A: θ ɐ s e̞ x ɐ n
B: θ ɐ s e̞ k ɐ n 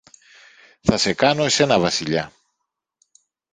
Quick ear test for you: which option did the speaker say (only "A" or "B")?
B